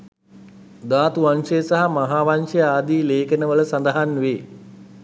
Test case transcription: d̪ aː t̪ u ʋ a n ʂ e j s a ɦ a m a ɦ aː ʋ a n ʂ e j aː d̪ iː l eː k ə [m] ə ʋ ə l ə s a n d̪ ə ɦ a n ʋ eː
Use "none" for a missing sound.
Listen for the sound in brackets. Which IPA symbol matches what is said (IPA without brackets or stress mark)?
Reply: n